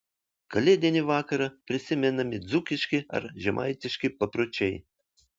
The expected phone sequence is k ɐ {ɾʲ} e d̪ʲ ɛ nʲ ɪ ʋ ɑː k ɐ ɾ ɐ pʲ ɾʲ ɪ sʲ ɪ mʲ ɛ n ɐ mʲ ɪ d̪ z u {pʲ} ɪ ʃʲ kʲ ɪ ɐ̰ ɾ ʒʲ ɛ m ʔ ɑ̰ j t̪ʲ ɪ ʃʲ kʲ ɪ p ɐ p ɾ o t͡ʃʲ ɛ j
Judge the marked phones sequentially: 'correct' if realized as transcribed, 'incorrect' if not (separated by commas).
incorrect, incorrect